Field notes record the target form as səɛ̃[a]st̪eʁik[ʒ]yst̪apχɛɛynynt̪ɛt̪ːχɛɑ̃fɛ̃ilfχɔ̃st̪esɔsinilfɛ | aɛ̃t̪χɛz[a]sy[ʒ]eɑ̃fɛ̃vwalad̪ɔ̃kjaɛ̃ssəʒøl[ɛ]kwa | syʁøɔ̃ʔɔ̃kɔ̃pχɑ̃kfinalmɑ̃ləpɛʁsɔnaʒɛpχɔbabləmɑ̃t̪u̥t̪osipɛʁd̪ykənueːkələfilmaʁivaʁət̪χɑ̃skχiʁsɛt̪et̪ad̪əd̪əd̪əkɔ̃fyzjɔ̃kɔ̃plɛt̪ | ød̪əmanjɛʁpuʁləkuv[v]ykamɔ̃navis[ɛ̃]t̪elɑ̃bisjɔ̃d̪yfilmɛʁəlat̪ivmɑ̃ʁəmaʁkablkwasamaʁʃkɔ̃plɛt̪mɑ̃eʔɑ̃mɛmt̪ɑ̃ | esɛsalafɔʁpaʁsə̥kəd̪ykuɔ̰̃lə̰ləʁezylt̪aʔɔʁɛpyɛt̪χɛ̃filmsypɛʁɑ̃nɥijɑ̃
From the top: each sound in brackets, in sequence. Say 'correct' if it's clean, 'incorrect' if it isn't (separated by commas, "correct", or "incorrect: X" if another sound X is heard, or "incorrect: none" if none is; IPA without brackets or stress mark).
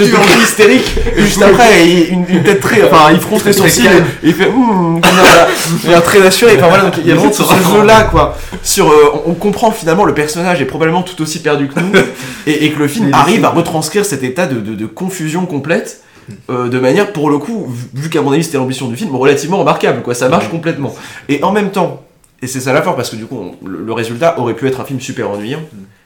incorrect: i, correct, correct, incorrect: ʁ, incorrect: a, correct, incorrect: ɛ